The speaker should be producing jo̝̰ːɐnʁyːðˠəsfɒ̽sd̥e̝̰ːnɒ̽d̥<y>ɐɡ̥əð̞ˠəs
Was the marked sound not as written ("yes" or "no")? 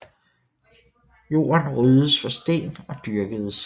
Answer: no